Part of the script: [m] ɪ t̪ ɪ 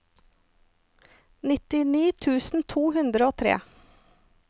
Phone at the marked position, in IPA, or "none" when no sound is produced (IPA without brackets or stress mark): n